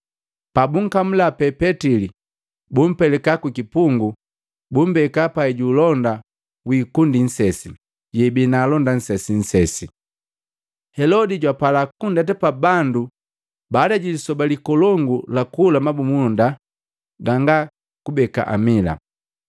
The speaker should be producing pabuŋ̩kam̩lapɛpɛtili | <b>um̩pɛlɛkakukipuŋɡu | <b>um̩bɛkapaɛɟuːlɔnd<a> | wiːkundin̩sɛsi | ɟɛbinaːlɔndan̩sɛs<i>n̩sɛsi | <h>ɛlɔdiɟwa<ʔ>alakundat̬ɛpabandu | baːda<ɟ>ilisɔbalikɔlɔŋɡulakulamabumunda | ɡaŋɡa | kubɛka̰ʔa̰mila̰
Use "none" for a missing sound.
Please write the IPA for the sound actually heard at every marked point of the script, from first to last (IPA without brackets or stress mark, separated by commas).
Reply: b, b, a, i, h, p, ɟ